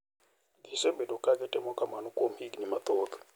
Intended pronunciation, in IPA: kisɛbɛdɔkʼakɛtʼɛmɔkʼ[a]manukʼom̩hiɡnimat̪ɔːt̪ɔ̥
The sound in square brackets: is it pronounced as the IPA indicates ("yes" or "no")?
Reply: yes